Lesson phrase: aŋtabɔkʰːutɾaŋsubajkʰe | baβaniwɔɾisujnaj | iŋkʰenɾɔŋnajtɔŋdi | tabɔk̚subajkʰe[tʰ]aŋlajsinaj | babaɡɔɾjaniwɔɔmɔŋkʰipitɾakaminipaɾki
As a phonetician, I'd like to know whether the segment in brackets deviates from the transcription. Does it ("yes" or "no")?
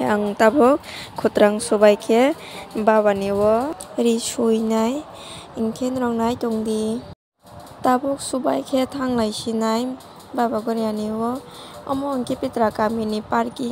no